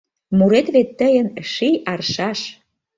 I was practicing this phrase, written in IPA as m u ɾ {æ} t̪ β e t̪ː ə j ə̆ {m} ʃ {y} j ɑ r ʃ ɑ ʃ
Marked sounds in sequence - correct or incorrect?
incorrect: e, incorrect: n, incorrect: i

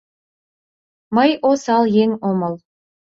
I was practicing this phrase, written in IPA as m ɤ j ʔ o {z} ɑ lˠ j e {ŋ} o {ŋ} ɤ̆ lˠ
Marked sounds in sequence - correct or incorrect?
incorrect: s, correct, incorrect: m

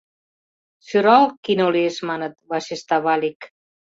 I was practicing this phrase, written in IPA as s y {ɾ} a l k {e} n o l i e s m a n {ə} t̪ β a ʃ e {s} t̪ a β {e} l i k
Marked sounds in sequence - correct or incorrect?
correct, incorrect: i, correct, correct, incorrect: a

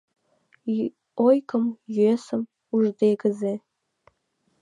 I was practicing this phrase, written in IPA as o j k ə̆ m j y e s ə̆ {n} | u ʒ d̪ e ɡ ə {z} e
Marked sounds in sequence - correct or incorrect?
incorrect: m, correct

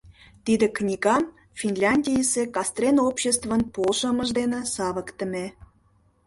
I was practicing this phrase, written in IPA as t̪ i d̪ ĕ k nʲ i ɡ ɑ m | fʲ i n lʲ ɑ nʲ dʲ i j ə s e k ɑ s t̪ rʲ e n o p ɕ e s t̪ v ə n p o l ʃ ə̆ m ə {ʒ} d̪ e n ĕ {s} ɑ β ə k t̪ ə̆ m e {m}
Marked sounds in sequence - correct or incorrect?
correct, correct, incorrect: none

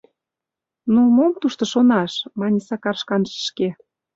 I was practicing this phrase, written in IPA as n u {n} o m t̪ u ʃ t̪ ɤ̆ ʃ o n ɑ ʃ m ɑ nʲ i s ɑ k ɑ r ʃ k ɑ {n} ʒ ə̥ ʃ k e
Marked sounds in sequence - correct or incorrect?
incorrect: m, correct

